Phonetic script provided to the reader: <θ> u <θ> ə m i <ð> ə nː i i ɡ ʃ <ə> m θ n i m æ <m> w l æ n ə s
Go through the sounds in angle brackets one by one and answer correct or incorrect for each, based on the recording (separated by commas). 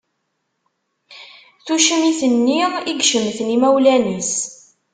correct, incorrect, incorrect, correct, incorrect